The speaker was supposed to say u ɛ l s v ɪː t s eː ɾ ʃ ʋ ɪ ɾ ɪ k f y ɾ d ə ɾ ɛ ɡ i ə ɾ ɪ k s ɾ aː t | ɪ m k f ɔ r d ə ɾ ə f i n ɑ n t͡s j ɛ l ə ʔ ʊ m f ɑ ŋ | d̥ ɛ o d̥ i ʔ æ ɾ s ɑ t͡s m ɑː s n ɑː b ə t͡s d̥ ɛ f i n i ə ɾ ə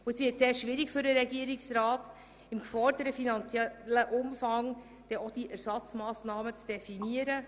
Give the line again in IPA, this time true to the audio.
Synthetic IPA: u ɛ s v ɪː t s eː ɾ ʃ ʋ ɪ ɾ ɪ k f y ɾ d ə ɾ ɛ ɡ i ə ɾ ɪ k s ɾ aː t | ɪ m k f ɔ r d ə ɾ ə f i n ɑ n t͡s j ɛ l ə ʔ ʊ m f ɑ ŋ | d̥ ɛ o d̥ i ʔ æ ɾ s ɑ t͡s m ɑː s n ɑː m ə t͡s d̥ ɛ f i n i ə ɾ ə

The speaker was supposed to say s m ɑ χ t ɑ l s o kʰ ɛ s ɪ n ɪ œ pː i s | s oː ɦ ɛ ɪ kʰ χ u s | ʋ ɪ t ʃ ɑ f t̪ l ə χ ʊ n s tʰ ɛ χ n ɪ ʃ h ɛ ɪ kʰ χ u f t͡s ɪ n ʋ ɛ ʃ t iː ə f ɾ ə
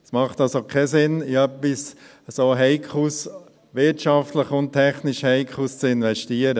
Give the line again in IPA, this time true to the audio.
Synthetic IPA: s m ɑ χ t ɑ l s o kʰ ɛ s ɪ n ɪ œ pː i s | s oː ɦ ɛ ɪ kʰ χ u s | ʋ ɪ t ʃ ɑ f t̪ l ə χ ʊ n t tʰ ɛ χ n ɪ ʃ h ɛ ɪ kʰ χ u s t͡s ɪ n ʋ ɛ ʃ t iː ə ɾ ə

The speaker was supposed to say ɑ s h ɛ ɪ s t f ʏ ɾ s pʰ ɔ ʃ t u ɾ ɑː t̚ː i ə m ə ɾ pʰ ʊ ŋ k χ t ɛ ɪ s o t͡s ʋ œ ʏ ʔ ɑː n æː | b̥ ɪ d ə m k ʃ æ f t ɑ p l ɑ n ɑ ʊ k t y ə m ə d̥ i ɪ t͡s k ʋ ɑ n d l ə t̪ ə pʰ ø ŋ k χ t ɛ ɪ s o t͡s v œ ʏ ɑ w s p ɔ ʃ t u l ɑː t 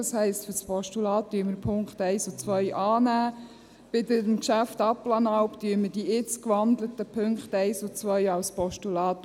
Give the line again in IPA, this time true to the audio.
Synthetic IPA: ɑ s h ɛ ɪ s t f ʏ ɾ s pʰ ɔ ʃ t u l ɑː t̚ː y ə m ə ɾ pʰ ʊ ŋ k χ t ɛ ɪ s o t͡s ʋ œ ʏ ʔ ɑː n æː | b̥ ɪ d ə m k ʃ æ f t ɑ p l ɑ n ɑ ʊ p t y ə m ə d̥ i ɪ t͡s k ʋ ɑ n d l ə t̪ ə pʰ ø ŋ k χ t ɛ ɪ s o t͡s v œ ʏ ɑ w s p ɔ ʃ t u l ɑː t

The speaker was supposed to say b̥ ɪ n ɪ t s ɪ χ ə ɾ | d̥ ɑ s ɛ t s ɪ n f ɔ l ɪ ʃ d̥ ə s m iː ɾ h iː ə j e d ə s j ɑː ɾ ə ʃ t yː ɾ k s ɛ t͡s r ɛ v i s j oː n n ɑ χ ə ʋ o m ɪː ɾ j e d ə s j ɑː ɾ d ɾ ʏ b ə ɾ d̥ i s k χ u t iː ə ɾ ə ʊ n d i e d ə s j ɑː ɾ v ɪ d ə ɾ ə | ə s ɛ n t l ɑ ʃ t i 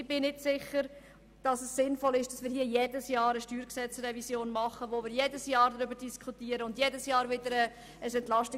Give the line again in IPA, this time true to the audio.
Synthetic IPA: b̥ ɪ n ɪ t s ɪ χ ə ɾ | d̥ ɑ s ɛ s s ɪ n f ɔ l ɪ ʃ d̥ ɑ s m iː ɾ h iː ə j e d ə s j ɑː ɾ ə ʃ t yː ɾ k s ɛ t͡s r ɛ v i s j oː n m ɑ χ ə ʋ o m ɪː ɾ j e d ə s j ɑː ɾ d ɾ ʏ b ə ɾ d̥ i s k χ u t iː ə ɾ ə ʊ n d j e d ə s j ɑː ɾ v ɪ d ə ɾ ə | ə s ɛ n t l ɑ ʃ t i

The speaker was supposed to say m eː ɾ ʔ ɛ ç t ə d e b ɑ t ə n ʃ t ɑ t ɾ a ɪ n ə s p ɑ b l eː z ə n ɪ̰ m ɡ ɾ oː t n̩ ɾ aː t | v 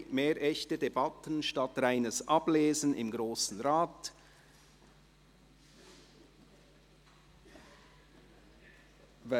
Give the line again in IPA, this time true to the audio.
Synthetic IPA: m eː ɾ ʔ ɛ ç t ə d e b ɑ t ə n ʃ t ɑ t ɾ a ɪ n ə s ʔ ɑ b l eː z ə n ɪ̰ m ɡ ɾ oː s n̩ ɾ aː t | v

